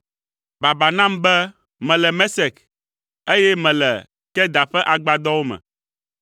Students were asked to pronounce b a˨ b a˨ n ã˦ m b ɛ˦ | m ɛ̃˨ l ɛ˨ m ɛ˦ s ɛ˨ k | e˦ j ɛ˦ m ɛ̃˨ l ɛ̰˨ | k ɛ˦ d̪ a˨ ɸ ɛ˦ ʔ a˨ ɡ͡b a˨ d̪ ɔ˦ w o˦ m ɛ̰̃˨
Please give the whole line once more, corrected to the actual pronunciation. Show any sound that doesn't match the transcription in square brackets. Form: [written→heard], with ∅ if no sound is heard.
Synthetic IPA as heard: b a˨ b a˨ n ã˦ m b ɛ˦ | m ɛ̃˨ l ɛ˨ m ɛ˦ s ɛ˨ k | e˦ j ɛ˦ m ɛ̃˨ l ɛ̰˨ | k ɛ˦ d̪ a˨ ɸ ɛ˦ ʔ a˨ ɡ͡b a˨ d̪ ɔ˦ w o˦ m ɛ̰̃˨